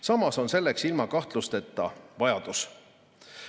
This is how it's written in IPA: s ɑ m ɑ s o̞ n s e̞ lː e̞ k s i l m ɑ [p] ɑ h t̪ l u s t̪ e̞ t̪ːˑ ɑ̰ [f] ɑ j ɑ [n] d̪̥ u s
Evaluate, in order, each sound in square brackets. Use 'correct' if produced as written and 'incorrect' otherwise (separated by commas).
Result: incorrect, incorrect, incorrect